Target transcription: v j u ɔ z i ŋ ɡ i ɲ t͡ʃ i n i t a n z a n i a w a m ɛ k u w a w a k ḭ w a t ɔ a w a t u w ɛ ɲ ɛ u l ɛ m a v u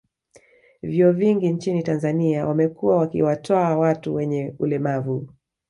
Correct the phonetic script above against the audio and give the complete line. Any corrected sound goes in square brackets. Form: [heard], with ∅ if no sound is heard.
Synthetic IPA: v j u ɔ [v] i ŋ ɡ i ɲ t͡ʃ i n i t a n z a n i a w a m ɛ k u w a w a k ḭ w a t ɔ a w a t u w ɛ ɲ ɛ u l ɛ m a v u